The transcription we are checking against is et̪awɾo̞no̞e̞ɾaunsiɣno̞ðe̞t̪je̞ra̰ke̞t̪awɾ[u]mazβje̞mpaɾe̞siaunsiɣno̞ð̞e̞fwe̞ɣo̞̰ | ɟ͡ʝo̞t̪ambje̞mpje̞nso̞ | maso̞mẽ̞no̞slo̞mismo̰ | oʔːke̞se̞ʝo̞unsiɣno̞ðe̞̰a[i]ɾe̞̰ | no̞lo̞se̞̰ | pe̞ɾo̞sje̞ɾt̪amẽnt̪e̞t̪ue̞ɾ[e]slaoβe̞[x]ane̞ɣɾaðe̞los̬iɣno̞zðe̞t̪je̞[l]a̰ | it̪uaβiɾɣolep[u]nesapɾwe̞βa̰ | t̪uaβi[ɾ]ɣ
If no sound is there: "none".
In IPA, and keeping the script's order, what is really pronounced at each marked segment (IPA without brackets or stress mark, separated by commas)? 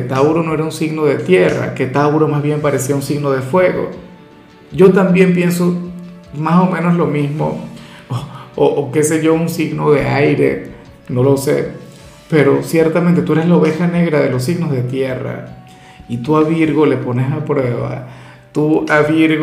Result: o, j, e, x, r, o, ɾ